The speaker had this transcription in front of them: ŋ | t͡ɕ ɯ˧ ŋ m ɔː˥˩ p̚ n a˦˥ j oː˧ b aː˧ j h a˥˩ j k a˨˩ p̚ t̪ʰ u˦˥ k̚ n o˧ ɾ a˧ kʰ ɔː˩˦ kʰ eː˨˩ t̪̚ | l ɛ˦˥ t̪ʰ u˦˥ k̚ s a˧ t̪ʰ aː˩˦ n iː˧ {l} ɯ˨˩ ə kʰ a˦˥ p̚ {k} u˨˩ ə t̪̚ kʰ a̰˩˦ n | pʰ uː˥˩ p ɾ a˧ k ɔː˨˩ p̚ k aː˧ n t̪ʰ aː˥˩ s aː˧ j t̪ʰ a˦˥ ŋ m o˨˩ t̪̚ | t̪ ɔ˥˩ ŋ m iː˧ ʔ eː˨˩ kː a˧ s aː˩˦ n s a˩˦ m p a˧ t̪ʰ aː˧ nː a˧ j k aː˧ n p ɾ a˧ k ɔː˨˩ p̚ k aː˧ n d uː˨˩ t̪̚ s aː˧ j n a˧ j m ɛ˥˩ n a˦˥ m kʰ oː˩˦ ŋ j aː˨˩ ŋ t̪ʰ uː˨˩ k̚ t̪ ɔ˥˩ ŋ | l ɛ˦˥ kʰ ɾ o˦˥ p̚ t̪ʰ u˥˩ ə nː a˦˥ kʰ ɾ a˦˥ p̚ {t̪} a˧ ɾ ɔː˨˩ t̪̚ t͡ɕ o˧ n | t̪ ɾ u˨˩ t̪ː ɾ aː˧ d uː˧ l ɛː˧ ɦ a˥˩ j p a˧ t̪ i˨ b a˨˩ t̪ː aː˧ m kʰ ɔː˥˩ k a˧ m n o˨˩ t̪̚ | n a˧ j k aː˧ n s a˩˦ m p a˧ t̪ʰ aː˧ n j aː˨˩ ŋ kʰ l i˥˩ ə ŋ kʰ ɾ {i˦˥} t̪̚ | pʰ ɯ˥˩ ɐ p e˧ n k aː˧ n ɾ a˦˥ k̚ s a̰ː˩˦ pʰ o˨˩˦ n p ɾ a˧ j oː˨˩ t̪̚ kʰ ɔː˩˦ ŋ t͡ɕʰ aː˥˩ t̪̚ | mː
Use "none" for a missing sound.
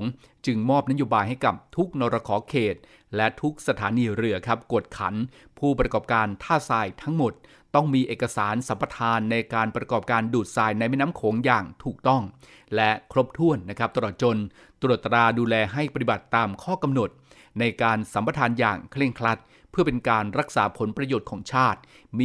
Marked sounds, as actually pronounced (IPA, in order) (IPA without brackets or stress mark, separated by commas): ɾ, k, t̪, a˦˥